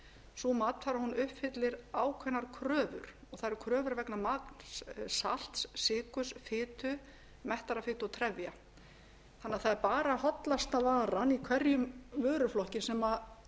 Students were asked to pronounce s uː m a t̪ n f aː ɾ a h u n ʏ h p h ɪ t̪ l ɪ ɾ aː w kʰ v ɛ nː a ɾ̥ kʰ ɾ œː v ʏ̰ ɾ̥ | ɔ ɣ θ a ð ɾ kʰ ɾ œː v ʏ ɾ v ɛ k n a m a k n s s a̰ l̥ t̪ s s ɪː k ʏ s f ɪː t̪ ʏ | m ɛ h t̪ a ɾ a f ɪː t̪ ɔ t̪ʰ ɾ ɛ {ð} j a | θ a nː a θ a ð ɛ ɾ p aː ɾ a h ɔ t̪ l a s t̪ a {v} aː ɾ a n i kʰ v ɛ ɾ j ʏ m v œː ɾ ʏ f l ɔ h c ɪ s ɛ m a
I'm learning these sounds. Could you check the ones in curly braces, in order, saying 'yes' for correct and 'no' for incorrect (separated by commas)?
no, yes